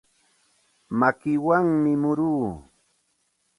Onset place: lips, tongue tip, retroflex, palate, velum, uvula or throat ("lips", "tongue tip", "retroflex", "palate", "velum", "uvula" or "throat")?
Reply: lips